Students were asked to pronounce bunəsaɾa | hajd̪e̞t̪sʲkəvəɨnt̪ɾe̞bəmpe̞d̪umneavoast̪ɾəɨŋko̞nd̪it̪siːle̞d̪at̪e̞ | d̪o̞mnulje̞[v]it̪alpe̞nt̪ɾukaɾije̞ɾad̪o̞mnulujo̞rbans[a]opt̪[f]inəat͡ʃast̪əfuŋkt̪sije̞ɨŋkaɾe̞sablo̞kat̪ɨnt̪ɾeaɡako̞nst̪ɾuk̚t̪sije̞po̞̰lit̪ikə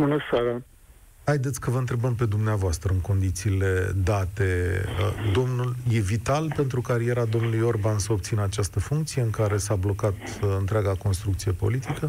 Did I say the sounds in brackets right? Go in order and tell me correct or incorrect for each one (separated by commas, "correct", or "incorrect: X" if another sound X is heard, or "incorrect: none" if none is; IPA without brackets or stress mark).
correct, incorrect: ə, incorrect: s